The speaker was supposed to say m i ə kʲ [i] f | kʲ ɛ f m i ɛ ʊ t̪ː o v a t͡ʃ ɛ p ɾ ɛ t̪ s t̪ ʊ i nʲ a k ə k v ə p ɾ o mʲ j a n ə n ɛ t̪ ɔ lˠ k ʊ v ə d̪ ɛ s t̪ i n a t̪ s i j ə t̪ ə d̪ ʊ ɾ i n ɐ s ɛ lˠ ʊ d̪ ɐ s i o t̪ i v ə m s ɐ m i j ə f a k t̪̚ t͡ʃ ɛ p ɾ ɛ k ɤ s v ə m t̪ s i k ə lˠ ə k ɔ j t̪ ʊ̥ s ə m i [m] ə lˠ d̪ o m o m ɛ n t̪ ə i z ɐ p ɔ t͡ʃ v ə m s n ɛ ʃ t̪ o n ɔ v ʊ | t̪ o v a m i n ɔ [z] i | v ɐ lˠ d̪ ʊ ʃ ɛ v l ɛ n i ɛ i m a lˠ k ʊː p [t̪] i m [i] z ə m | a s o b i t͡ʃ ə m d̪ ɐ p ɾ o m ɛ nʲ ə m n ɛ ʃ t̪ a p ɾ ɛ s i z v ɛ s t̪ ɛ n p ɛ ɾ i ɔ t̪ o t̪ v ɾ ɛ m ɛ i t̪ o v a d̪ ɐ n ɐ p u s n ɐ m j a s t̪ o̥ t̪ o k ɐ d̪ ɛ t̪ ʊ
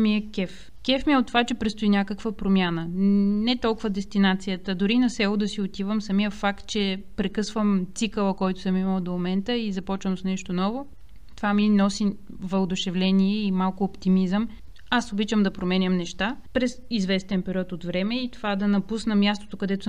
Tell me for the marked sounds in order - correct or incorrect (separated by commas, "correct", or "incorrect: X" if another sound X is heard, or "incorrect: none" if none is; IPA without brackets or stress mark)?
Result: incorrect: ɛ, correct, incorrect: s, correct, correct